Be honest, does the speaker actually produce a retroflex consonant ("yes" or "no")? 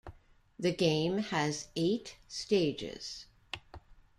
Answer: no